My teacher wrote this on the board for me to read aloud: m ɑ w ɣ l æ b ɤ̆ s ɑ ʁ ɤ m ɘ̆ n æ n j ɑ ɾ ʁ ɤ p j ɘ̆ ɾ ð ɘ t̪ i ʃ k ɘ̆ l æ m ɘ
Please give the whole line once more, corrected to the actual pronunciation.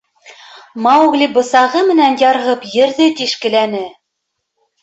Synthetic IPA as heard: m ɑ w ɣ l i b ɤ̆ s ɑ ʁ ɤ m ɘ̆ n æ n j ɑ ɾ ʁ ɤ p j ɘ̆ ɾ ð ɘ t̪ i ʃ k ɘ̆ l æ n ɘ